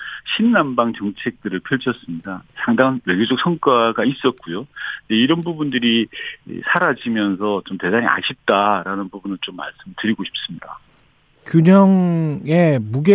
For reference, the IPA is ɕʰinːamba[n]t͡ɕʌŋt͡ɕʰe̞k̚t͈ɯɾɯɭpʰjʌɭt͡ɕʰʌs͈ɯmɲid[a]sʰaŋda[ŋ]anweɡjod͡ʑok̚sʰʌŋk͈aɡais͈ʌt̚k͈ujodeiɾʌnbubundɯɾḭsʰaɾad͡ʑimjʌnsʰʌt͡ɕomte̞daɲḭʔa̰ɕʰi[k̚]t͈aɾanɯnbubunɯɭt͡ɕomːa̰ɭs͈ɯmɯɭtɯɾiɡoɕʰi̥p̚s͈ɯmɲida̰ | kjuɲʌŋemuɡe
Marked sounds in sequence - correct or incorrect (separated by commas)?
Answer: incorrect, correct, correct, incorrect